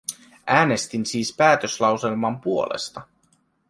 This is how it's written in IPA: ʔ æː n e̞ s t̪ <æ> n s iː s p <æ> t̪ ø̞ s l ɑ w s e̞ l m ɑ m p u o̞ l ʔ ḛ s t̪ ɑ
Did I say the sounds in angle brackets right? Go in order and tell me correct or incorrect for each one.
incorrect, incorrect

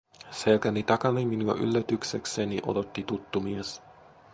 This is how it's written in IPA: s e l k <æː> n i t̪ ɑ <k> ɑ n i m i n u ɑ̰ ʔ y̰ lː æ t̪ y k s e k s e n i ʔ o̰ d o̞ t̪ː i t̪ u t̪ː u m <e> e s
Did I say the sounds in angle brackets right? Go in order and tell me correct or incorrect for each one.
incorrect, correct, incorrect

